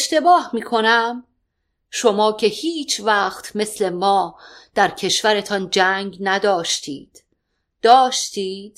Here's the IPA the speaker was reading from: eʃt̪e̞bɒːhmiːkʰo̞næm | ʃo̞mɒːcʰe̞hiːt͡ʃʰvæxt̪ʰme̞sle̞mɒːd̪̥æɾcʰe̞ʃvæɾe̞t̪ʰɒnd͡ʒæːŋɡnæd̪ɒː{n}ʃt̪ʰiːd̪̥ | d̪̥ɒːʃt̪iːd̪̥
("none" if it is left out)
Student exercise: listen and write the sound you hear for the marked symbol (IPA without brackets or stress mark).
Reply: none